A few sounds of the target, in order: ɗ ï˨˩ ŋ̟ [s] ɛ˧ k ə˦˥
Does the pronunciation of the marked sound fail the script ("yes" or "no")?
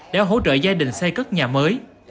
no